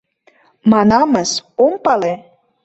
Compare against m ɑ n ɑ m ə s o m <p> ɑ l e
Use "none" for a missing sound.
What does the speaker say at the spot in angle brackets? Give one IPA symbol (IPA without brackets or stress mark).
p